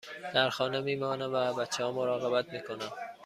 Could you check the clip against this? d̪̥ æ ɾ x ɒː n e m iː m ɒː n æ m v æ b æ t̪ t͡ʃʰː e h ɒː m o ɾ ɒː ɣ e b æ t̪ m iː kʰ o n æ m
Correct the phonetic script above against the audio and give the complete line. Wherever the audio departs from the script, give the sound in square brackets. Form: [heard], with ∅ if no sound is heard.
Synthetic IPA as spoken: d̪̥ æ ɾ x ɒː n e m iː m ɒː n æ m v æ b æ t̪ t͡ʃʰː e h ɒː m o ɾ ɒː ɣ e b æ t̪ m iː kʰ o n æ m